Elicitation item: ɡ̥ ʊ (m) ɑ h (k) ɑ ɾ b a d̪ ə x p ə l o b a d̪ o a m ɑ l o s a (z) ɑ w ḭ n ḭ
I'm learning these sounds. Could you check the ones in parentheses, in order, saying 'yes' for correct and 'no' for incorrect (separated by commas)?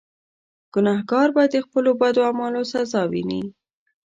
no, no, yes